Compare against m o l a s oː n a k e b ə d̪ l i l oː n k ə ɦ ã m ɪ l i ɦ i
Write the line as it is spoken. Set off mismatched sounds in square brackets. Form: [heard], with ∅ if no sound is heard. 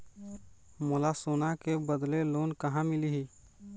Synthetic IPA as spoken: m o l a s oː n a k e b ə d̪ l [e] l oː n k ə ɦ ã m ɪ l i ɦ i